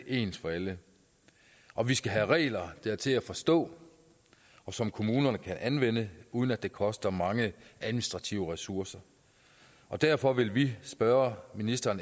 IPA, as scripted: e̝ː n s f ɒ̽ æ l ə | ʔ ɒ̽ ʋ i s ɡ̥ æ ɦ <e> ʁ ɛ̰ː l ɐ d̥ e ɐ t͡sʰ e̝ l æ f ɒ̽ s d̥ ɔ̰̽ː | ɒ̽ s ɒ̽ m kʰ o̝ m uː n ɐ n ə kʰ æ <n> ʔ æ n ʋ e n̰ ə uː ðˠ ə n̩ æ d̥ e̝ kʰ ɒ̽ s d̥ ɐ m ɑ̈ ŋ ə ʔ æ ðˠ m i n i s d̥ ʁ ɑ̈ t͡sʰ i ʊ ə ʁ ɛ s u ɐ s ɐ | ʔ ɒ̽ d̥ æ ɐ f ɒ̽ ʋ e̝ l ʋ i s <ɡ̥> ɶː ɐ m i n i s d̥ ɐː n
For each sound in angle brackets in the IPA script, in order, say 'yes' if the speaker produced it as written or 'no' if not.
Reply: no, yes, no

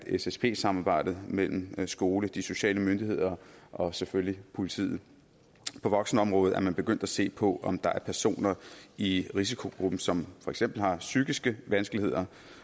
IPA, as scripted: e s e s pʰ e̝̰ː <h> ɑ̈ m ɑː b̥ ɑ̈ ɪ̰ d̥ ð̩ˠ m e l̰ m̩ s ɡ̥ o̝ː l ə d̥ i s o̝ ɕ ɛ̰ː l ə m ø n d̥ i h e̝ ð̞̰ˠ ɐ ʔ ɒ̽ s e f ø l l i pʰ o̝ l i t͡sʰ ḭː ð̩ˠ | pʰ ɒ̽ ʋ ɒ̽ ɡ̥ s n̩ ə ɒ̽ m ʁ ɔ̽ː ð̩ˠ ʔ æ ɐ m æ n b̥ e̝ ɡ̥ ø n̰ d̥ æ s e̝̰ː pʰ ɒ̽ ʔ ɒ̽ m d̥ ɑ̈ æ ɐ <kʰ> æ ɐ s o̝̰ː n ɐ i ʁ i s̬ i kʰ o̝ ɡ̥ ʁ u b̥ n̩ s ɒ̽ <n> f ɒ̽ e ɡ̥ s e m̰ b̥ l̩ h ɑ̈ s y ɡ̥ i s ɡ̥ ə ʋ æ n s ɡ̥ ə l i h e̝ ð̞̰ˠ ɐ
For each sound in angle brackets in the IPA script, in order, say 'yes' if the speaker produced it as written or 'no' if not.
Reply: no, no, no

